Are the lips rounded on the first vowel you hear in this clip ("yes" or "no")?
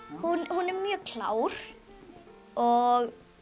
yes